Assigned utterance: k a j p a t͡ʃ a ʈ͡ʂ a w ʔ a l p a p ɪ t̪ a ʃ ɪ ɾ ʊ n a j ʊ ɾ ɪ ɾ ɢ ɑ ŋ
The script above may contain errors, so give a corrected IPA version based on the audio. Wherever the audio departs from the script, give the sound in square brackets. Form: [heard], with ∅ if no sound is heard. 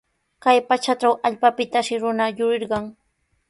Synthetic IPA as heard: k a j p a t͡ʃ a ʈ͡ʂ a w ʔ a [ʎ] p a p ɪ t̪ a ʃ ɪ ɾ ʊ n a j ʊ ɾ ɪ ɾ ɢ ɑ ŋ